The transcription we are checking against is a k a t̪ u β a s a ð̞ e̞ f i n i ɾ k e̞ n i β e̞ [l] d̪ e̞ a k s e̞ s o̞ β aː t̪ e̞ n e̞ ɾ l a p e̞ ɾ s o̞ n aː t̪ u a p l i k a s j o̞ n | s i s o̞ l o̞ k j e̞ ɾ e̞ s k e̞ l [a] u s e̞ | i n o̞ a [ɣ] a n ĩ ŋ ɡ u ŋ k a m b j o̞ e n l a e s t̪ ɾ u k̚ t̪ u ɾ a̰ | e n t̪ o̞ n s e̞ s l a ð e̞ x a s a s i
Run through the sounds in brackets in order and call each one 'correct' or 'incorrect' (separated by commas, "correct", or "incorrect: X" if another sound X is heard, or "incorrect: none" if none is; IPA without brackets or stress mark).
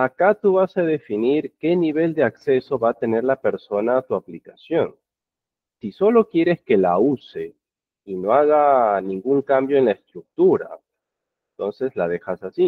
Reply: correct, correct, correct